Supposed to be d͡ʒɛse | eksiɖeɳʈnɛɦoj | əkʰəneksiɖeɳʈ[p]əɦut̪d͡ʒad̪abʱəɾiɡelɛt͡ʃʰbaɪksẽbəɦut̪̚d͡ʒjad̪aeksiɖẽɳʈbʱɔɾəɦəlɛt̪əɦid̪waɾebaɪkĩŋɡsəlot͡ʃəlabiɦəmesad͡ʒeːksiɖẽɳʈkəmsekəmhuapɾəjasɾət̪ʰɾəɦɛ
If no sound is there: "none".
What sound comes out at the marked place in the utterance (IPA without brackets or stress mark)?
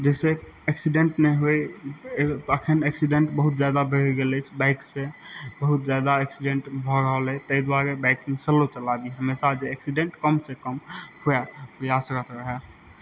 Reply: b